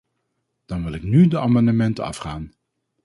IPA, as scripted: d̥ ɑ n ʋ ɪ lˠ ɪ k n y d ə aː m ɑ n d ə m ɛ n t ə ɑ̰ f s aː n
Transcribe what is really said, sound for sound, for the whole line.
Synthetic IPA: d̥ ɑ n ʋ ɪ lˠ ɪ k n y d ə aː m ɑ n d ə m ɛ n t ə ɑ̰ f χ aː n